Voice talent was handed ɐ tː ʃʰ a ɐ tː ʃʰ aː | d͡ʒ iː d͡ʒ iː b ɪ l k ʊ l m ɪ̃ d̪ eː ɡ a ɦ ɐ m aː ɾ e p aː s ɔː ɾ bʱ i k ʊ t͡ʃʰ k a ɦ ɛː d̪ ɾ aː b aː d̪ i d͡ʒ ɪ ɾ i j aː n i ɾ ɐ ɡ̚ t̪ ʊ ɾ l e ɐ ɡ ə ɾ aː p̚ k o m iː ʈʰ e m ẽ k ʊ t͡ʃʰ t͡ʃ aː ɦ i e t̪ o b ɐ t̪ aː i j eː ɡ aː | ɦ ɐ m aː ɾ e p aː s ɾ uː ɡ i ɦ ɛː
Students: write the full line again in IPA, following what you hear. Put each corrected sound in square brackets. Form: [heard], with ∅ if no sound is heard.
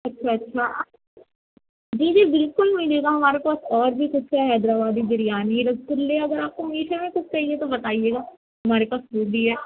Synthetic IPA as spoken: ɐ tː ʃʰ a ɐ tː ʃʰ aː | d͡ʒ iː d͡ʒ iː b ɪ l k ʊ l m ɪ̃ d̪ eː ɡ a ɦ ɐ m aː ɾ e p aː s ɔː ɾ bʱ i k ʊ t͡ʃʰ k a ɦ ɛː d̪ ɾ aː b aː d̪ i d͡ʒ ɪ ɾ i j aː n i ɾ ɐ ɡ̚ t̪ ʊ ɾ l e ɐ ɡ ə ɾ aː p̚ k o m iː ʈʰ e m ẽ k ʊ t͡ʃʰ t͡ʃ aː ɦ i e t̪ o b ɐ t̪ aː i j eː ɡ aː | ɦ ɐ m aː ɾ e p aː s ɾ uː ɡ i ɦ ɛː